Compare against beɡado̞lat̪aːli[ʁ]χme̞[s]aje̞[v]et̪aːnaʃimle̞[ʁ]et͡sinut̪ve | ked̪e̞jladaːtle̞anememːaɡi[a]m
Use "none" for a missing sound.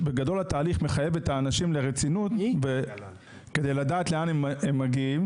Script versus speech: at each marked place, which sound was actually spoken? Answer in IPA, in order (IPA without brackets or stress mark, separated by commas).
none, χ, v, ʁ, i